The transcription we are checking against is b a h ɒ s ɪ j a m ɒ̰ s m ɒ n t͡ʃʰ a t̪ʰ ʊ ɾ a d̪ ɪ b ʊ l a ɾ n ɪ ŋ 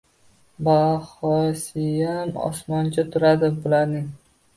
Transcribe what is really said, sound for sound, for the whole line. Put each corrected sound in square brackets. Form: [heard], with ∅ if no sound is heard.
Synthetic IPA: b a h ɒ s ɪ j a m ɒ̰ s m ɒ n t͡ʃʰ a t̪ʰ ʊ ɾ a d̪ ɪ b ʊ l a ɾ n ɪ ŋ